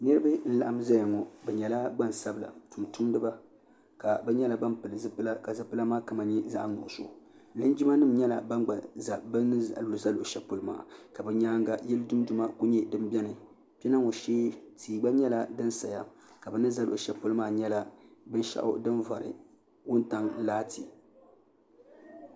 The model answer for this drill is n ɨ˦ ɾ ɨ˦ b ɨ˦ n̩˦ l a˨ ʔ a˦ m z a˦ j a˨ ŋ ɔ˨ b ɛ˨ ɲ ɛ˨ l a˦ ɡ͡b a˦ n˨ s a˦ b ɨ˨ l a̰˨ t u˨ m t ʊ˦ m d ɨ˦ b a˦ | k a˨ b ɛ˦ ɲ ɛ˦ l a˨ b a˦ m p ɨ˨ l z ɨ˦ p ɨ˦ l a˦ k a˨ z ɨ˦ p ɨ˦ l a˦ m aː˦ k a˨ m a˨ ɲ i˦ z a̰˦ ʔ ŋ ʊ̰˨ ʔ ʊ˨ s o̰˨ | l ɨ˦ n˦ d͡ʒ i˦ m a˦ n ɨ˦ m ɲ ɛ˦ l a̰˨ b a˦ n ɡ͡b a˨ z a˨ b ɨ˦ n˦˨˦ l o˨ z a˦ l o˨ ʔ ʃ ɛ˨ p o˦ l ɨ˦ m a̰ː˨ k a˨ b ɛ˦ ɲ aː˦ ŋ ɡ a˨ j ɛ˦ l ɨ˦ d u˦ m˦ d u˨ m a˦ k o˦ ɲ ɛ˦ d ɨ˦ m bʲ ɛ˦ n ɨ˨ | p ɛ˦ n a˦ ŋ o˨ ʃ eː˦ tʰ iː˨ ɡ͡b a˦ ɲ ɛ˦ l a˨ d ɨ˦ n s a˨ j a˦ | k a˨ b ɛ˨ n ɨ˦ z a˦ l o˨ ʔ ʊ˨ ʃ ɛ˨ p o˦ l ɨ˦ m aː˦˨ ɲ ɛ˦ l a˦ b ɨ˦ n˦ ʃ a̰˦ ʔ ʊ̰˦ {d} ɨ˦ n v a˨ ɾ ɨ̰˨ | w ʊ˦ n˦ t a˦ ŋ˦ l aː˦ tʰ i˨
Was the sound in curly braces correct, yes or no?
yes